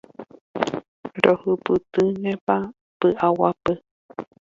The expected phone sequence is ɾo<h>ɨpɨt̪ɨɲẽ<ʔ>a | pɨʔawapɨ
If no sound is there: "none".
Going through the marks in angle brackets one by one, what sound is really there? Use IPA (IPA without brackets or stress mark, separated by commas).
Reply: h, p